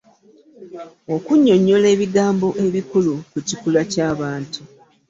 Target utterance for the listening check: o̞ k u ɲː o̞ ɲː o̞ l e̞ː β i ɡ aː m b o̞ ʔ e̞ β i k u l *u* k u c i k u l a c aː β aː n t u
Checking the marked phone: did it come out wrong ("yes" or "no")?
no